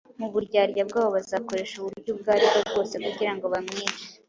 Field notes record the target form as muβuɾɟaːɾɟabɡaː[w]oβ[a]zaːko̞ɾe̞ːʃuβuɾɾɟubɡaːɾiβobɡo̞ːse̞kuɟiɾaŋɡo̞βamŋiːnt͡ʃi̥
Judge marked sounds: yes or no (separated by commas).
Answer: no, yes